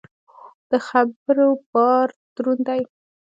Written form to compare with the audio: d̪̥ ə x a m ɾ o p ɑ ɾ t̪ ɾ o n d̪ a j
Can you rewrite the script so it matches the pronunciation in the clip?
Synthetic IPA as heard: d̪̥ ə x a b ɾ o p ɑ ɾ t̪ ɾ u n d̪ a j